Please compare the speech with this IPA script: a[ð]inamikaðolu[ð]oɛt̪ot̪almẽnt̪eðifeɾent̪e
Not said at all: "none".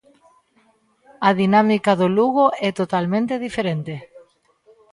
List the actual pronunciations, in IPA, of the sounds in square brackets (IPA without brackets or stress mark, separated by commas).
ð, ɣ